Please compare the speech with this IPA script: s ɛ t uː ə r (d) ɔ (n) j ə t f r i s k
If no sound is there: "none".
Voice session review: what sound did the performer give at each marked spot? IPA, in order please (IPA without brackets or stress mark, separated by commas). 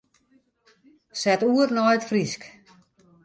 n, none